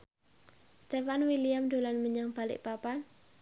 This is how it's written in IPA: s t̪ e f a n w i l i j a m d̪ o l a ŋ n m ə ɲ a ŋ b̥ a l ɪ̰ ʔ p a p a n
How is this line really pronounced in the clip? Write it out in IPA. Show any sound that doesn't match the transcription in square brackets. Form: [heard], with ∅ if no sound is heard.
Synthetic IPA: s t̪ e f a n w i l i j a m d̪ o l a [∅] n m ə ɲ a ŋ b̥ a l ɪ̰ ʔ p a p a n

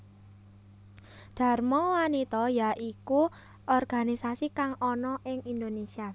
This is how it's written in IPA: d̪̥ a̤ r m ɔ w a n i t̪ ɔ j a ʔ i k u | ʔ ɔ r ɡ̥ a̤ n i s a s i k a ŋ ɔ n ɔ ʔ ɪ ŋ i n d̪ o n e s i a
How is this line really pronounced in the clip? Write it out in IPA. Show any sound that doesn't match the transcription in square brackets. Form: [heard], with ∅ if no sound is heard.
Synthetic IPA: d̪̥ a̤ r m ɔ w a n i t̪ ɔ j a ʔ i k u | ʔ ɔ r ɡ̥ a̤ n i s a s i k a ŋ ɔ n ɔ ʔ ɪ ŋ i n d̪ o n e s i a

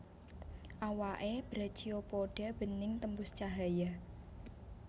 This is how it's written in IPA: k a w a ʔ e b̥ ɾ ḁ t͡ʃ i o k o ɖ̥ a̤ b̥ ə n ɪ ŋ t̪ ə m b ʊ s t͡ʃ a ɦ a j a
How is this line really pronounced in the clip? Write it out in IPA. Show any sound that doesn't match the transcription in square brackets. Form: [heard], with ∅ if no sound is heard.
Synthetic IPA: [ʔ] a w a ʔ e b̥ ɾ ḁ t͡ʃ i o [p] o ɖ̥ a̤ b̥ ə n ɪ ŋ t̪ ə m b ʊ s t͡ʃ a ɦ a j a

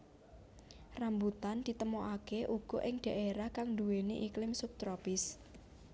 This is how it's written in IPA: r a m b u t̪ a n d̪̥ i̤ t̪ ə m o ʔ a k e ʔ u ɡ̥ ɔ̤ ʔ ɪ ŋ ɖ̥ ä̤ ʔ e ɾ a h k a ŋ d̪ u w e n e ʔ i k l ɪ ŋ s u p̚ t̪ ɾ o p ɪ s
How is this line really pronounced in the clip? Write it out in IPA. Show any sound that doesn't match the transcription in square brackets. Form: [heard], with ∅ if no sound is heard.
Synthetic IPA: r a m b u t̪ a n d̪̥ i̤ t̪ ə m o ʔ a k e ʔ u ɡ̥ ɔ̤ ʔ ɪ ŋ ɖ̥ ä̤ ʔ e ɾ a h k a ŋ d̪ u w e n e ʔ i k l ɪ [m] s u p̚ t̪ ɾ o p ɪ s

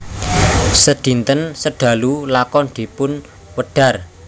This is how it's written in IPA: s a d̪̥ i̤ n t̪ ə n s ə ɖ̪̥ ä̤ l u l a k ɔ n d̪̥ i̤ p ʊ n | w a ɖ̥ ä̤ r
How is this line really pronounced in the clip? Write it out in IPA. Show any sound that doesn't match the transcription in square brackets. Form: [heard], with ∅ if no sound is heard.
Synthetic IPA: s [ə] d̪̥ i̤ n t̪ ə n s ə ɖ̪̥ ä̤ l u l a k ɔ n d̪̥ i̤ p ʊ n | w [ə] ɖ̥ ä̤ r

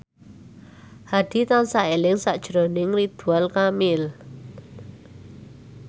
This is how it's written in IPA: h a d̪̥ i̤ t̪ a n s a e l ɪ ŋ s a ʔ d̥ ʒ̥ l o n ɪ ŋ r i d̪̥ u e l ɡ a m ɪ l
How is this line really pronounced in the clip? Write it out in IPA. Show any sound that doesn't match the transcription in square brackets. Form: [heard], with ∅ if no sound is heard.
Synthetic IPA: h a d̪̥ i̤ t̪ a n s a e l ɪ ŋ s a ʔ d̥ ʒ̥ [ɾ] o n ɪ ŋ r i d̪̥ u [a] l [k] a m ɪ l

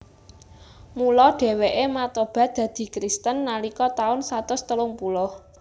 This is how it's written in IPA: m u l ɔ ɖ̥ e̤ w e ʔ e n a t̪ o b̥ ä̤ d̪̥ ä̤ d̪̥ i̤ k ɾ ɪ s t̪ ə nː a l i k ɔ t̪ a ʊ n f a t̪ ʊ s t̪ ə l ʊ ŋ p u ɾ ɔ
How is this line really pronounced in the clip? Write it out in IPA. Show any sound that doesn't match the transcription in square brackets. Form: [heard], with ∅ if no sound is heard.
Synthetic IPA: m u l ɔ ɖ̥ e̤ w e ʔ e [m] a t̪ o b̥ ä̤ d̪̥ ä̤ d̪̥ i̤ k ɾ [i] s t̪ ə nː a l i k ɔ t̪ a ʊ n [s] a t̪ ʊ s t̪ ə l ʊ ŋ p u [l] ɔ

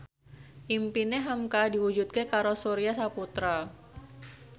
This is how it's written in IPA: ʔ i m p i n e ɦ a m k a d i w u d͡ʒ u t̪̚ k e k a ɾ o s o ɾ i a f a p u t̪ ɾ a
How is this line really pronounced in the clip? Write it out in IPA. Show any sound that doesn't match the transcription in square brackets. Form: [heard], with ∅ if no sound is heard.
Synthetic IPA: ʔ i m p i n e ɦ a m k a d i w u d͡ʒ u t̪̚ k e k a ɾ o s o ɾ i a [s] a p u t̪ ɾ a

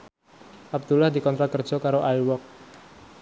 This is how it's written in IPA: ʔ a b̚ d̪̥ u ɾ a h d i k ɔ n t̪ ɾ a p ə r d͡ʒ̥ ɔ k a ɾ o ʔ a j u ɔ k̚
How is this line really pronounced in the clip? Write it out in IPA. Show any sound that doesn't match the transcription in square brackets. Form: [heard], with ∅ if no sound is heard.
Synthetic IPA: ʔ a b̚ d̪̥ u [l] a h d i k ɔ n t̪ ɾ a [k] ə r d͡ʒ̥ ɔ k a ɾ o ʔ a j [w] ɔ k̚

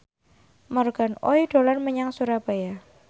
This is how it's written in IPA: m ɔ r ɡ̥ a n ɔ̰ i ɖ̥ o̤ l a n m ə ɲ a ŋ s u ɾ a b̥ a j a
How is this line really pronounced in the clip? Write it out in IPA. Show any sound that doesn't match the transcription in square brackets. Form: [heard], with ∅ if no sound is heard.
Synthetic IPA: m ɔ r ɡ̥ a n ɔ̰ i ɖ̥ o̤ l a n m ə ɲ a ŋ s u ɾ a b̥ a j a

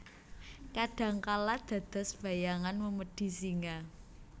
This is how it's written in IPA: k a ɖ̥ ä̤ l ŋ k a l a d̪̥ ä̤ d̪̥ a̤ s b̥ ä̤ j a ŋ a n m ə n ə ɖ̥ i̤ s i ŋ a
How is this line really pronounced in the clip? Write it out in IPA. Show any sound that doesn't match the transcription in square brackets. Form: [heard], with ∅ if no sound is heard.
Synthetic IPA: k a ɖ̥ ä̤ [∅] ŋ k a l a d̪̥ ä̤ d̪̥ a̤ s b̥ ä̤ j a ŋ a n m ə [m] ə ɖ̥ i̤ s i ŋ a

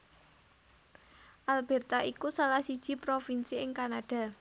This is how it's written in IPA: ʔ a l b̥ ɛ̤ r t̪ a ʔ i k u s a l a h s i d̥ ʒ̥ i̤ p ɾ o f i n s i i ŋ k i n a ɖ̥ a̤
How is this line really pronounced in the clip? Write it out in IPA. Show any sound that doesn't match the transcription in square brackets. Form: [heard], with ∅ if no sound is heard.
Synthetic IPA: ʔ a l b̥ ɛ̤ r t̪ a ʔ i k u s a l a h s i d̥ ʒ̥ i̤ p ɾ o f i n s i [ɪ] ŋ k [a] n a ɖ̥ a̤

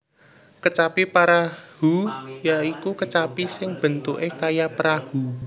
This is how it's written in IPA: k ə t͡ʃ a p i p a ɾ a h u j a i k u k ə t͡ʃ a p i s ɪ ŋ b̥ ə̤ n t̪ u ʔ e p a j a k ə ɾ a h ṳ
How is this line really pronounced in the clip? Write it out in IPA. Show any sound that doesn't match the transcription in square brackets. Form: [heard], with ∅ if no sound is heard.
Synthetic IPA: k ə t͡ʃ a p i p a ɾ a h u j a i k u k ə t͡ʃ a p i s ɪ ŋ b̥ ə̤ n t̪ u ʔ e [k] a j a [p] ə ɾ a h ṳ

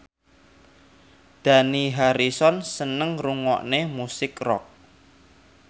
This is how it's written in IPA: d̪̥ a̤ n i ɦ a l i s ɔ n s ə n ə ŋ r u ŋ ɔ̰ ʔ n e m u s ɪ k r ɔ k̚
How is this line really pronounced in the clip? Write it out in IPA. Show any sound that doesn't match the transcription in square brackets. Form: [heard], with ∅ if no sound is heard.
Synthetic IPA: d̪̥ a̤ n i ɦ a [ɾ] i s ɔ n s ə n ə ŋ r u ŋ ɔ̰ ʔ n e m u s ɪ k r ɔ k̚

